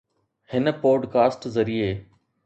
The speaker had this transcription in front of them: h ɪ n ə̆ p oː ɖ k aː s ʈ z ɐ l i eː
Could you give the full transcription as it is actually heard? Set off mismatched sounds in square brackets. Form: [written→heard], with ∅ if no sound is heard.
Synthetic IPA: h ɪ n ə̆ p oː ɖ k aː s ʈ z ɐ [l→ɾ] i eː